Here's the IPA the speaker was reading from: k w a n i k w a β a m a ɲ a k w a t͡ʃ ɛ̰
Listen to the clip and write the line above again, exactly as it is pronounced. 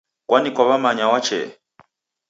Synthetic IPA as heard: k w a n i k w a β a m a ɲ a w a t͡ʃ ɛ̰